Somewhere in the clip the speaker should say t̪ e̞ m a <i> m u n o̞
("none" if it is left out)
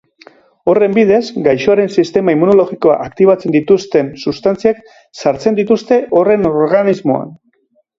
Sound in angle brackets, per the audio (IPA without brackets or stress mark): i